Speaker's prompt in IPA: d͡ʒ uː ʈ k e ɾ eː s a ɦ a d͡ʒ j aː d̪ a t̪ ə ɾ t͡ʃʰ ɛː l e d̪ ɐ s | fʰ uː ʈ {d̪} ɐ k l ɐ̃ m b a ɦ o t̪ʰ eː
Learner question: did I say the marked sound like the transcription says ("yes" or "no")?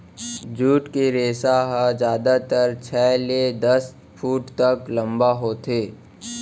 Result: no